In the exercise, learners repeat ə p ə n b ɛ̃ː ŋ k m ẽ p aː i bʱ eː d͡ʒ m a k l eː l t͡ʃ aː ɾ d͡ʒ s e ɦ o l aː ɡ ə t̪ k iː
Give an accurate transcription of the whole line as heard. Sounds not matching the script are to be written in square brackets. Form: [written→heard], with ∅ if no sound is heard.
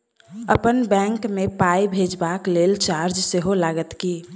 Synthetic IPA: ə p ə n b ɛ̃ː ŋ k m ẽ p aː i bʱ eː d͡ʒ [m→b] a k l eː l t͡ʃ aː ɾ d͡ʒ s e ɦ o l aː ɡ ə t̪ k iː

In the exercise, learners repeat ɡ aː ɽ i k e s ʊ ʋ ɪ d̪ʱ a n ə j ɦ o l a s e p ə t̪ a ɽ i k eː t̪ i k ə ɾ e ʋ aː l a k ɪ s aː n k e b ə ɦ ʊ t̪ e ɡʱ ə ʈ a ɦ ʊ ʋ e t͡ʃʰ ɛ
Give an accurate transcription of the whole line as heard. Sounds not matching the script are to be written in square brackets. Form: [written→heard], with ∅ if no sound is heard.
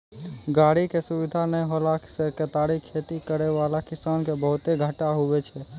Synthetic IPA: ɡ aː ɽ i k e s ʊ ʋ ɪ d̪ʱ a n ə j ɦ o l a s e [p→k] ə t̪ a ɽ i [k→kʰ] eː t̪ i k ə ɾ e ʋ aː l a k ɪ s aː n k e b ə ɦ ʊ t̪ e ɡʱ ə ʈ a ɦ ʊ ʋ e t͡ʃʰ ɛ

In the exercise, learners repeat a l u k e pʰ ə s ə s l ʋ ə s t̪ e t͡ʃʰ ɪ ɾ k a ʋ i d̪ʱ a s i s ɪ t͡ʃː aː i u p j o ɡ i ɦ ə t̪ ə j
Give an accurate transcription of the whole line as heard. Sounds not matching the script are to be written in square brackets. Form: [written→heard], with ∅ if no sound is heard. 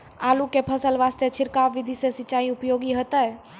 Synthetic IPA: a l u k e pʰ ə s ə [s→∅] l ʋ [ə→a] s t̪ e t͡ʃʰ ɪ ɾ k a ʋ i d̪ʱ [a→i] s [i→e] s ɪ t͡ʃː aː i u p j o ɡ i ɦ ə t̪ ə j

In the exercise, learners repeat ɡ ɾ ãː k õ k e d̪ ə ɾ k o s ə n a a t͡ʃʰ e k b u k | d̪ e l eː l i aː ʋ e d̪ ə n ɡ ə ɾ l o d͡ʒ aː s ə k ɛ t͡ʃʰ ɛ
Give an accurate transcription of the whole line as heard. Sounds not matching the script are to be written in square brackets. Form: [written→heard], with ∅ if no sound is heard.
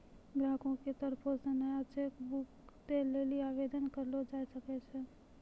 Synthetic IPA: ɡ ɾ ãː k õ k e [d̪→t̪] ə ɾ [k→p] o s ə n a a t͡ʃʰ e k b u k | [d̪→t̪] e l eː l i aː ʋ e d̪ ə n [ɡ→k] ə ɾ l o d͡ʒ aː s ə k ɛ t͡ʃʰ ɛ

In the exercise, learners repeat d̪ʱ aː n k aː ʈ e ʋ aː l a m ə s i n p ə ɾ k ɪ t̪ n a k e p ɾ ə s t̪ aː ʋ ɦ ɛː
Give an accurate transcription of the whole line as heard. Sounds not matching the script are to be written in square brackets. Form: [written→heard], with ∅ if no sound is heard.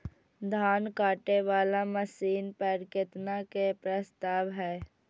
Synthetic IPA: d̪ʱ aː n k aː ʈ e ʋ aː l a m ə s [i→iː] n p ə ɾ k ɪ t̪ n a k e p ɾ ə s t̪ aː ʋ ɦ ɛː

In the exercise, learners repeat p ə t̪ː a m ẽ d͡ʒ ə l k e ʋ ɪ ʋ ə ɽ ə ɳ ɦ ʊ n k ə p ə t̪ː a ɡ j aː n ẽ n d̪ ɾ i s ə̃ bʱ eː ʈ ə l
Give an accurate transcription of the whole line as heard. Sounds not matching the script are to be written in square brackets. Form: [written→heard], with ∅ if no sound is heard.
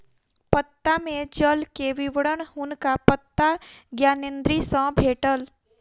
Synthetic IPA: p ə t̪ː a m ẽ d͡ʒ ə l k e ʋ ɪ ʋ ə ɽ ə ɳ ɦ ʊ n k [ə→a] p ə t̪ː a ɡ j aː n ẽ n d̪ ɾ i s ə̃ bʱ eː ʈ ə l

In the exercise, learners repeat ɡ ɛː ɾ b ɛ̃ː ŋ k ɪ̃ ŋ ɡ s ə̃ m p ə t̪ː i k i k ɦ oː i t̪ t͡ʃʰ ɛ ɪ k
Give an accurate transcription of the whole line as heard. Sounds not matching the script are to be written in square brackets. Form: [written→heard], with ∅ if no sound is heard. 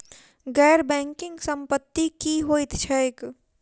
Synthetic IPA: ɡ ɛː ɾ b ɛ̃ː ŋ k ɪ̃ ŋ ɡ s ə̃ m p ə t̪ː i k i [k→∅] ɦ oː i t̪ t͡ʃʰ ɛ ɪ k

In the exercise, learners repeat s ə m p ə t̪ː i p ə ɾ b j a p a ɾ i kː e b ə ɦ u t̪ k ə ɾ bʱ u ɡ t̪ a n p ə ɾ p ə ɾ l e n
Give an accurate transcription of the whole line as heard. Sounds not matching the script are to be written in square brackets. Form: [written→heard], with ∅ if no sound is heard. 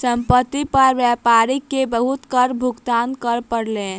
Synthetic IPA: s ə m p ə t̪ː i p ə ɾ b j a p a ɾ i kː e b ə ɦ u t̪ k ə ɾ bʱ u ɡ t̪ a n [p→k] ə ɾ p ə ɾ l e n

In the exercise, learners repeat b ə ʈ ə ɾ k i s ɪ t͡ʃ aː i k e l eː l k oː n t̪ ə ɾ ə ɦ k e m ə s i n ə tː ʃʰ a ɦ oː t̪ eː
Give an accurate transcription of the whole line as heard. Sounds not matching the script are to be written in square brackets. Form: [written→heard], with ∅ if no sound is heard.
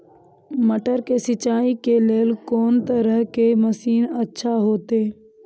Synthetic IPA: [b→m] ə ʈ ə ɾ k [i→e] s ɪ t͡ʃ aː i k e l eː l k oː n t̪ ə ɾ ə ɦ k e m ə s [i→iː] n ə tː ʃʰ a ɦ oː t̪ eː

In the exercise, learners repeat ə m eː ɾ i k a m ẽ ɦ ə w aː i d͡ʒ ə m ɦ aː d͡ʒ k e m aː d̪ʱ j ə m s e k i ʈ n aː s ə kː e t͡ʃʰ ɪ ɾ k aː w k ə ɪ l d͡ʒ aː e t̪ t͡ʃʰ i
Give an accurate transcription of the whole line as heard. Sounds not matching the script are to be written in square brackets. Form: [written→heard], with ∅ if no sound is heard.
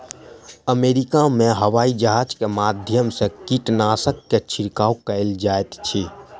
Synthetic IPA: ə m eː ɾ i k a m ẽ ɦ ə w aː i d͡ʒ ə [m→∅] ɦ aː d͡ʒ k e m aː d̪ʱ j ə m s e k i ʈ n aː s ə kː e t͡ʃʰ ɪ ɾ k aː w k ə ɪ l d͡ʒ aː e t̪ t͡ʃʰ i

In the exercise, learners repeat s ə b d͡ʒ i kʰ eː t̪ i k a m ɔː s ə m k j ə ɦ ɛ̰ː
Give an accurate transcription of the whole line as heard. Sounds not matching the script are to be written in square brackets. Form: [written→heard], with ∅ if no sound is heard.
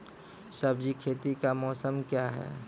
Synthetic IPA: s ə b d͡ʒ i kʰ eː t̪ i k a m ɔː s ə m k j [ə→a] ɦ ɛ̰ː

